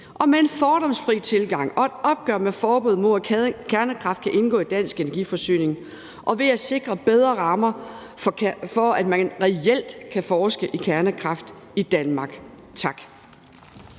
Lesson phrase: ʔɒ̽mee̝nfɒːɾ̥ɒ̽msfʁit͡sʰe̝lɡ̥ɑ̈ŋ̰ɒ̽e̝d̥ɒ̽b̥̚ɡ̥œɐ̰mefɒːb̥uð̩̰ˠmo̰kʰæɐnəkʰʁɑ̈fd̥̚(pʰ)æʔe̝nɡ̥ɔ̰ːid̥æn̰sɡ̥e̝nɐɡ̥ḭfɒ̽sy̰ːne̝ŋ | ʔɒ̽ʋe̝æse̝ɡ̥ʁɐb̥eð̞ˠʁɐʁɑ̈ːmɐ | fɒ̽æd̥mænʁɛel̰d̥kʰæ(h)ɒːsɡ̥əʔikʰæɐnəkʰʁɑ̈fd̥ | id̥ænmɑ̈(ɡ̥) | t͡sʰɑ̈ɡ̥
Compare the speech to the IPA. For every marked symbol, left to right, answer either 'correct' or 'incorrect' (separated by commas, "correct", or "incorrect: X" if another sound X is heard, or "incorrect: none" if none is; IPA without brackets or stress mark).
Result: incorrect: kʰ, incorrect: f, correct